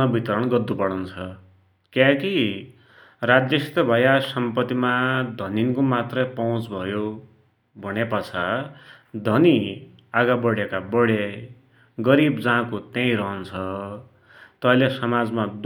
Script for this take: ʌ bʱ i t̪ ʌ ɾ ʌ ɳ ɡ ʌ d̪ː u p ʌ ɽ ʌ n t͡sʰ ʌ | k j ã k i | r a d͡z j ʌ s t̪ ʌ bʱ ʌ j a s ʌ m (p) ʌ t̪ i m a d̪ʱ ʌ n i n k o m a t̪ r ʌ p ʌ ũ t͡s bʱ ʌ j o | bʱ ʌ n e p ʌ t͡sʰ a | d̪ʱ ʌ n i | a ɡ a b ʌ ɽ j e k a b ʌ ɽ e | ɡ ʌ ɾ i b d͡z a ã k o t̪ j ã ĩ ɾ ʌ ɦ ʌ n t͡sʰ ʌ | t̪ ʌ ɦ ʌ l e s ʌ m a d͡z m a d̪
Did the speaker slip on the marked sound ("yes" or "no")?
no